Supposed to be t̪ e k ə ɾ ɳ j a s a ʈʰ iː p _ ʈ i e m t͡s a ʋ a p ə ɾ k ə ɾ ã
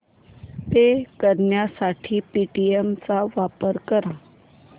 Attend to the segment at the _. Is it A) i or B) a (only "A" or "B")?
A